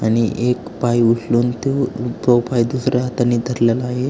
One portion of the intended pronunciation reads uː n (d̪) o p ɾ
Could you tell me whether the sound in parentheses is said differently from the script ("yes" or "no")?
yes